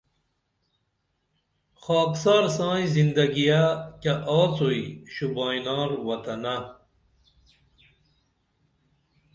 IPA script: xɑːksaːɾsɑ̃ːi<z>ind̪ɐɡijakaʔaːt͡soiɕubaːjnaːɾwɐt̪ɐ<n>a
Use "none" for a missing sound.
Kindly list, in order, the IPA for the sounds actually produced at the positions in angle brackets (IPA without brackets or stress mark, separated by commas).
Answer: z, n